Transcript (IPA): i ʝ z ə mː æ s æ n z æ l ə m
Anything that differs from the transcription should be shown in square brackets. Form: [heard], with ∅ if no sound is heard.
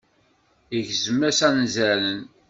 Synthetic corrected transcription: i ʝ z ə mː æ s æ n z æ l ə [n]